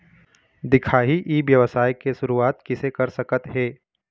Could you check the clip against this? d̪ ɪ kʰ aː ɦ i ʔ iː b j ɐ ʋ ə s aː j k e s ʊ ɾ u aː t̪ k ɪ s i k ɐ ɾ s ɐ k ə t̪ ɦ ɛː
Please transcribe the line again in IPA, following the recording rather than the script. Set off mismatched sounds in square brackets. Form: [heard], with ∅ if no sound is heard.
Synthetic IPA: d̪ ɪ kʰ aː ɦ i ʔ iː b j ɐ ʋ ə s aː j k e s ʊ ɾ u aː t̪ k ɪ s [e] k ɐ ɾ s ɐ k ə t̪ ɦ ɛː